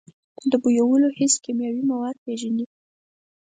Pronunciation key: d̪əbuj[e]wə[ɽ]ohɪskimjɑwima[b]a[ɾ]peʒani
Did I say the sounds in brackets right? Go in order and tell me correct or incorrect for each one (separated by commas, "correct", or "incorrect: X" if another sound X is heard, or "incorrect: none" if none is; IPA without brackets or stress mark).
incorrect: a, incorrect: l, incorrect: w, correct